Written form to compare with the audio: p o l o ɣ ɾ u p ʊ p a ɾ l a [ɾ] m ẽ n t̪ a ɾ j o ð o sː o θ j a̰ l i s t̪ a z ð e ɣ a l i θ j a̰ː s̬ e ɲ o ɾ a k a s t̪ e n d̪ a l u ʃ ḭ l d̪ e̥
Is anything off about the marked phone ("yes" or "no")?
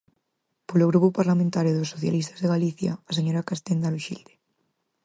yes